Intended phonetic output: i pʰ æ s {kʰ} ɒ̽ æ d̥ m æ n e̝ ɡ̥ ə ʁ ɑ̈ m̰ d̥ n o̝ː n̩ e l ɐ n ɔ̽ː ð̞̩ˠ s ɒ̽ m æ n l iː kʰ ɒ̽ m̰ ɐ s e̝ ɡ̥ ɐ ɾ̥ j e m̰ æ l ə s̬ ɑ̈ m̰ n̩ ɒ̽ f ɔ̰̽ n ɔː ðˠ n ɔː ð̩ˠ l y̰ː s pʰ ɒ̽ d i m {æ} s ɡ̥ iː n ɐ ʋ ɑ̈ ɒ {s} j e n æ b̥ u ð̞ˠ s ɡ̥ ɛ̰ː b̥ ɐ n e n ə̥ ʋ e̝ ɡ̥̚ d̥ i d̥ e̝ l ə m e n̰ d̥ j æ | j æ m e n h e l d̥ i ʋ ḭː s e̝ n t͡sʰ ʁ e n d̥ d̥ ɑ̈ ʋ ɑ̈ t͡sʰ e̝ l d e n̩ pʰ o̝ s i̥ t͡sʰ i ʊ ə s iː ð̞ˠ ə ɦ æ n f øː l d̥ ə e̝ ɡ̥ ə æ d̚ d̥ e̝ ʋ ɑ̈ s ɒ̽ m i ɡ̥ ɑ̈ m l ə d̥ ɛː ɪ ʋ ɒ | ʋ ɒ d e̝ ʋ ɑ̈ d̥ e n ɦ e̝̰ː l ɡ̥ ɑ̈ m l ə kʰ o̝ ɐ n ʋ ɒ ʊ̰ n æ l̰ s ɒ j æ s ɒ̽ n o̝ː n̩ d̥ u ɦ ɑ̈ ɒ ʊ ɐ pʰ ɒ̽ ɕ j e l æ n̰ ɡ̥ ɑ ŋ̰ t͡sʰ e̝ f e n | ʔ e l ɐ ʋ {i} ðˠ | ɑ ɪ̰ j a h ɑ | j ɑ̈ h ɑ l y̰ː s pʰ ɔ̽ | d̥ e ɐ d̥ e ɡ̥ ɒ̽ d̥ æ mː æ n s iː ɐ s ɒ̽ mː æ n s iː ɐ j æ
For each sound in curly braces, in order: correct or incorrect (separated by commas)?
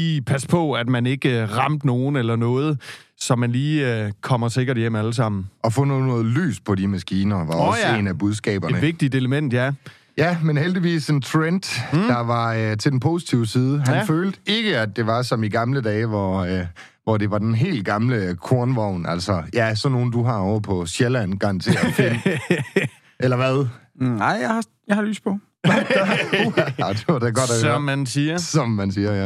incorrect, correct, correct, incorrect